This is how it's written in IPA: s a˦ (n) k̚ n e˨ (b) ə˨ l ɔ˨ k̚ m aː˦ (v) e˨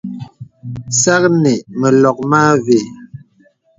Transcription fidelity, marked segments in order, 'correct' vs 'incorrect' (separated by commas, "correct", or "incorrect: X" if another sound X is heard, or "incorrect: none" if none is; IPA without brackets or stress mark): incorrect: none, incorrect: m, correct